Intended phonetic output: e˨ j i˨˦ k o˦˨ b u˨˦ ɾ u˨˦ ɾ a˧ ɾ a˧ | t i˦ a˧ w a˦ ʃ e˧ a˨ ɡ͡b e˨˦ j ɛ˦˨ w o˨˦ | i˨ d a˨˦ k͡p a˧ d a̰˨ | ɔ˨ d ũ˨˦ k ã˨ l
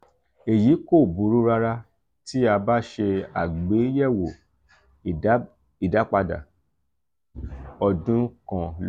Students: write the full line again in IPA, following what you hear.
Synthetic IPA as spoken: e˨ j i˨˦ k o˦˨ b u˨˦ ɾ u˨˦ ɾ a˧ ɾ a˧ | t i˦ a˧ b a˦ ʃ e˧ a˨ ɡ͡b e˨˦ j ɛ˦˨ w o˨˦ | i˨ d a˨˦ k͡p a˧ d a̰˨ | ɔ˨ d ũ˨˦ k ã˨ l